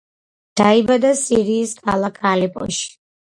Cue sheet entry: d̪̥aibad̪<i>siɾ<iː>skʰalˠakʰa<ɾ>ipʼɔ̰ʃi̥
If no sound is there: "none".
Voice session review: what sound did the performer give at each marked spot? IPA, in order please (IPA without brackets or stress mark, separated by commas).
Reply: a, iː, l